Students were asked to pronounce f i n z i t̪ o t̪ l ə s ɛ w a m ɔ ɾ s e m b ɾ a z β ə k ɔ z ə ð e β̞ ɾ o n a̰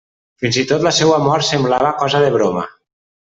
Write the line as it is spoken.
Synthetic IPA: f i n z i t̪ o t̪ l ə s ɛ w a m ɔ ɾ s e m b l a β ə k ɔ z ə ð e β̞ ɾ o m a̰